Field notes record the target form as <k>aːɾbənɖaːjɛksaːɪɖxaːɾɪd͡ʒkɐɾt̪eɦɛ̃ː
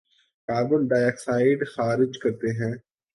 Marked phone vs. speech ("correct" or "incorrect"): correct